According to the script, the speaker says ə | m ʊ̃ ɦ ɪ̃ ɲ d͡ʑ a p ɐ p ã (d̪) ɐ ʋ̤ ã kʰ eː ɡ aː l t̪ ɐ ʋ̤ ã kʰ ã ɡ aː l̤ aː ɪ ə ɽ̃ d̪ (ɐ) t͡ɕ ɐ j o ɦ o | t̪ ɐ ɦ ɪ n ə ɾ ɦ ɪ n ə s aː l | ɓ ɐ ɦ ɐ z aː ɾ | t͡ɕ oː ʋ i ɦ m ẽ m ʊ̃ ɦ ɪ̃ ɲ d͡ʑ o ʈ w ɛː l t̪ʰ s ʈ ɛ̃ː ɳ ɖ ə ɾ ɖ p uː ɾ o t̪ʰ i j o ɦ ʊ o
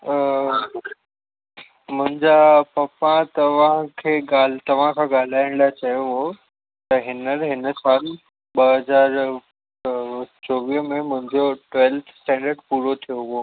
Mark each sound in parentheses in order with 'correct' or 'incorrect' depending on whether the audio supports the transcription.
incorrect: t̪, incorrect: a

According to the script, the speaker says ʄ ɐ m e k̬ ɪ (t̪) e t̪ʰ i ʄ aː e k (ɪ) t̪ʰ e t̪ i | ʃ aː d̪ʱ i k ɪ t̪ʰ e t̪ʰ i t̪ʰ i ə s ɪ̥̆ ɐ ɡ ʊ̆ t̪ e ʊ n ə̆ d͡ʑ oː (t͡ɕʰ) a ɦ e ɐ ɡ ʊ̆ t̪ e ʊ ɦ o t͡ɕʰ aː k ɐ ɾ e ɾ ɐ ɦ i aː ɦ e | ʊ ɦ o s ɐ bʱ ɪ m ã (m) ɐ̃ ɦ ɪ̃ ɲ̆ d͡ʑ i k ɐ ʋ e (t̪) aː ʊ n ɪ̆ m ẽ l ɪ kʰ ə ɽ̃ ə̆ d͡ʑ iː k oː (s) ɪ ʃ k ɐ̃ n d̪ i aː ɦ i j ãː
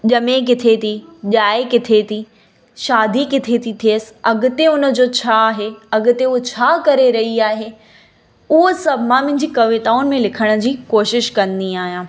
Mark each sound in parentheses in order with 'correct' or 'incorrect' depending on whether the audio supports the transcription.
incorrect: t̪ʰ, correct, correct, correct, correct, incorrect: ʃ

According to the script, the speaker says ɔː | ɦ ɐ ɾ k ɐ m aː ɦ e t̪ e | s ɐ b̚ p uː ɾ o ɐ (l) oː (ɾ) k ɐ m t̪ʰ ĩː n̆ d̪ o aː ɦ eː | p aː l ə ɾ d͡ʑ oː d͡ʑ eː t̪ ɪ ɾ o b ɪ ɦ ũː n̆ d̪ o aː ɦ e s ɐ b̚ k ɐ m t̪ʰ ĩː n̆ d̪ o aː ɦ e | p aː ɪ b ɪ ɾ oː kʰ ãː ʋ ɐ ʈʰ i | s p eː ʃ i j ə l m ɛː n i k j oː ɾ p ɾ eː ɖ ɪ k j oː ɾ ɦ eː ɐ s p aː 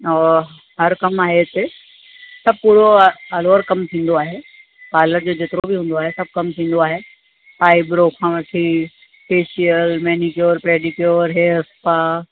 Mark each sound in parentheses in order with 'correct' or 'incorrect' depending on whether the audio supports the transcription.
correct, correct

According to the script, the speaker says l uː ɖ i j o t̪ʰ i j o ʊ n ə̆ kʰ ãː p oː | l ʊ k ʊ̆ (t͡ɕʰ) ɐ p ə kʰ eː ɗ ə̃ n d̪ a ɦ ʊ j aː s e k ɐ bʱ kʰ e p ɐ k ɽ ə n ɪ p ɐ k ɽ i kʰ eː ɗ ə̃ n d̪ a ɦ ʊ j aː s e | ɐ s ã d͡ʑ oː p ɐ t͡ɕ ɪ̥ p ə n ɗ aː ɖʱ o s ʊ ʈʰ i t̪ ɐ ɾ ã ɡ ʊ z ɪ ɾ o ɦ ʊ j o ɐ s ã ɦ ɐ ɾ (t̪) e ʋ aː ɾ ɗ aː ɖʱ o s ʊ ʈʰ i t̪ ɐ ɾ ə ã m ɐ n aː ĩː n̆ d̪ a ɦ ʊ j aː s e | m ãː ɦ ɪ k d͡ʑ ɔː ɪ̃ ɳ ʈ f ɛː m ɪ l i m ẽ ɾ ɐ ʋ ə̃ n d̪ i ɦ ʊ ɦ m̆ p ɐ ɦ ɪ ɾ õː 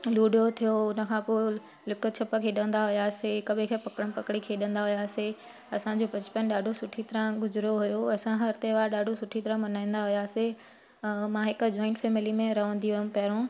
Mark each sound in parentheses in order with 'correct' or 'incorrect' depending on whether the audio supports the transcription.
correct, correct

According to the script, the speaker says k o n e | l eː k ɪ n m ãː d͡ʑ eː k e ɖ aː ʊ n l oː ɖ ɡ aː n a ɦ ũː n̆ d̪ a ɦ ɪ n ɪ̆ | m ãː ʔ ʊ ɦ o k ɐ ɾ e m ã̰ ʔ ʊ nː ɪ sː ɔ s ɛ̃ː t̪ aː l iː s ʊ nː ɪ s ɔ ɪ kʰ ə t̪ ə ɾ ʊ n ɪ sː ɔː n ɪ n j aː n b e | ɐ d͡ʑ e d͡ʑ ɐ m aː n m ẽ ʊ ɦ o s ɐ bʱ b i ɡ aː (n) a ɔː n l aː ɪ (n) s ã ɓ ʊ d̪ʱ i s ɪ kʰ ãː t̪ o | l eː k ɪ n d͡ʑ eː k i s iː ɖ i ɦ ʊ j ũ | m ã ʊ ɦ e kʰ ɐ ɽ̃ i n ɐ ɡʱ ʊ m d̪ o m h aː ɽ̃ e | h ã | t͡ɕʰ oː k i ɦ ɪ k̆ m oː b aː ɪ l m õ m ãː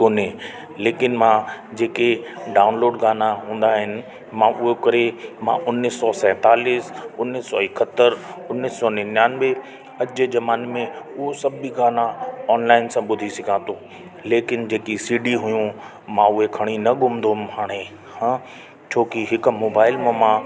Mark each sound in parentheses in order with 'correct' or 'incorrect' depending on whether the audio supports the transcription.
correct, correct

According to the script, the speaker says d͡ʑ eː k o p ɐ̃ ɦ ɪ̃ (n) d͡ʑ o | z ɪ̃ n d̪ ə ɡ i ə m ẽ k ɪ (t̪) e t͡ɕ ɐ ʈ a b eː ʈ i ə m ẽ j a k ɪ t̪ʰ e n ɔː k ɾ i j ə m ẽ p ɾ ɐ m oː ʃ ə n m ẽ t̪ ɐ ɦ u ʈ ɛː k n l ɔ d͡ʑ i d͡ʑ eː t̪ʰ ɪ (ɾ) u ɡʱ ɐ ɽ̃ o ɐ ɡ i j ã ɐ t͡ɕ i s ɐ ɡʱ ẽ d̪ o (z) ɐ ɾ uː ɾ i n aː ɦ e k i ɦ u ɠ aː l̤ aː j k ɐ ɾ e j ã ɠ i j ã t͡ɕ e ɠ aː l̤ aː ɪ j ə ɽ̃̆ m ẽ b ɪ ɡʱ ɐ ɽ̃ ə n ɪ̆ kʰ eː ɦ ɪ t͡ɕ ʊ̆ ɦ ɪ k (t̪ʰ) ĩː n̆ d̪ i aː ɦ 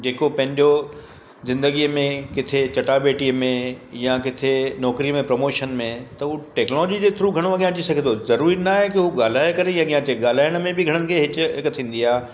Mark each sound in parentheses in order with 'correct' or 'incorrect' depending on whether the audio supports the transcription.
incorrect: ɲ, incorrect: t̪ʰ, correct, correct, correct

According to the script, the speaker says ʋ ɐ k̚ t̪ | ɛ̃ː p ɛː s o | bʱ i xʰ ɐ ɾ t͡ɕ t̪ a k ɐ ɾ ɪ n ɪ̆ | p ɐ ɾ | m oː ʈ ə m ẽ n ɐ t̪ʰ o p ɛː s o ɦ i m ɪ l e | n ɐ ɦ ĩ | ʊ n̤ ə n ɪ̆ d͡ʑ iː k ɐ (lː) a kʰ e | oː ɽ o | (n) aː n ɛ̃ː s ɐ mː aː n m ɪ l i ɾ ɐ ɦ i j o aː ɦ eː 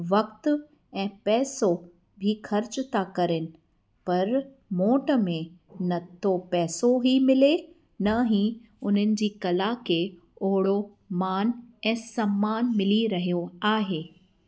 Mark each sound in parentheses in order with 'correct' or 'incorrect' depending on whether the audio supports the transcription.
incorrect: l, incorrect: m

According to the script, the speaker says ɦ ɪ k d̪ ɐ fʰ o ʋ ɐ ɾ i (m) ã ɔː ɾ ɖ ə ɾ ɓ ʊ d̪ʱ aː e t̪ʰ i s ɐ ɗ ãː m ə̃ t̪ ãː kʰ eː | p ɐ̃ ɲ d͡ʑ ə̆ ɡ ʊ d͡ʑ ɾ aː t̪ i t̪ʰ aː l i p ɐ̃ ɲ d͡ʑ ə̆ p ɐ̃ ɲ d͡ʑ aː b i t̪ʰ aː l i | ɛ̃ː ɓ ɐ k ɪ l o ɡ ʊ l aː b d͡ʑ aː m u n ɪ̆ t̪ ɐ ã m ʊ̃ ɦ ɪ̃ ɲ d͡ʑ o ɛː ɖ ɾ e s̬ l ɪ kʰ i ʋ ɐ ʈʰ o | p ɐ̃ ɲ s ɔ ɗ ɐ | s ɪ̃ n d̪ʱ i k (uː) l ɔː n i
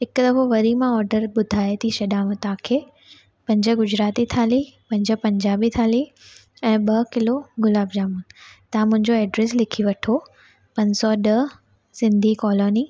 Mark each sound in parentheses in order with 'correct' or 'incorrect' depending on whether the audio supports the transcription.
correct, incorrect: ɔː

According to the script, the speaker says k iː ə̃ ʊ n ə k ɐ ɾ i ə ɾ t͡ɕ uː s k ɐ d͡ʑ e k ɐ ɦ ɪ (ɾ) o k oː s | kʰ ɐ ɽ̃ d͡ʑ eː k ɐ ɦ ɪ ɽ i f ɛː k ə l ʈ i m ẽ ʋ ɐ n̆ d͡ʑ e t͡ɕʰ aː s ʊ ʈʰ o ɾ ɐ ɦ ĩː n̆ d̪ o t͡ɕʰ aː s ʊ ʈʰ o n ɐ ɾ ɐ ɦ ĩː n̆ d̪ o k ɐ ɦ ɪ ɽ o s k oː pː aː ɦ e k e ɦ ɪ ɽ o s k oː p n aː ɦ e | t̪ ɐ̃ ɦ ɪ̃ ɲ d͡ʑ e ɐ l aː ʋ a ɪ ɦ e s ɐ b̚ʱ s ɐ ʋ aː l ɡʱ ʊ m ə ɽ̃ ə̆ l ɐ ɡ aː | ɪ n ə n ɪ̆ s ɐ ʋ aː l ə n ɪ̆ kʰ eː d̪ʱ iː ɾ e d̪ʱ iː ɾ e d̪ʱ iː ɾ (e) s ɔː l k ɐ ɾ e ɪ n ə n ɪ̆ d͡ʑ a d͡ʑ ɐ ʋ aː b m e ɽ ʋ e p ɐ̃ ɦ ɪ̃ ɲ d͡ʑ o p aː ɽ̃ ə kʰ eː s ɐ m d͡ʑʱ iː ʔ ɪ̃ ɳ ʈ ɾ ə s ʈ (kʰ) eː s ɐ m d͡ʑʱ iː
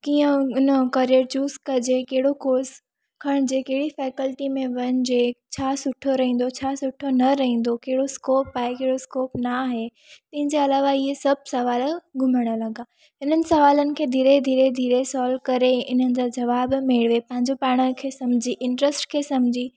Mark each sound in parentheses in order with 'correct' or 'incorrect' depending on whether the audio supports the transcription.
incorrect: ɽ, correct, correct

